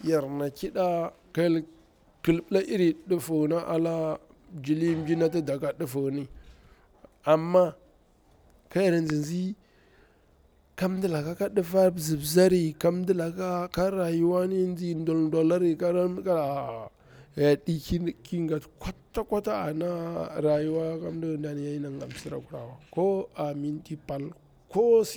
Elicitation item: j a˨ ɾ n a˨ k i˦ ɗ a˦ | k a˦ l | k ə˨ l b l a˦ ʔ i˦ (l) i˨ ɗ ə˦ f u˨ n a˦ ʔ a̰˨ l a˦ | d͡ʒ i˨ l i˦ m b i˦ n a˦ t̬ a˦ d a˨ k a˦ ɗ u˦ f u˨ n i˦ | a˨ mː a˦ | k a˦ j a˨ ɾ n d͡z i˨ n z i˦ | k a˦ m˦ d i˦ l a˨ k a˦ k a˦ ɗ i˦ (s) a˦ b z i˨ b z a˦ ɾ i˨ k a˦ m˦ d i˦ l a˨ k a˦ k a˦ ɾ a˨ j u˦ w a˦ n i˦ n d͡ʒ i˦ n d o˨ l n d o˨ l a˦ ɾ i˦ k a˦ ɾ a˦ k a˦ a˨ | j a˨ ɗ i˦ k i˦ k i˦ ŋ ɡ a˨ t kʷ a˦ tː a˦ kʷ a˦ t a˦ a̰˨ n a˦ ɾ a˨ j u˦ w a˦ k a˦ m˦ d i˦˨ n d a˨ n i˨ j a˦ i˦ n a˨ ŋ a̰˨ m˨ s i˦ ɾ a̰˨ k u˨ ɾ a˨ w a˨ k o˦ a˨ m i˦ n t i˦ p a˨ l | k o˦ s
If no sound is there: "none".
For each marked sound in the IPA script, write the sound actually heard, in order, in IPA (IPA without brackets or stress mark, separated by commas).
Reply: ɾ, f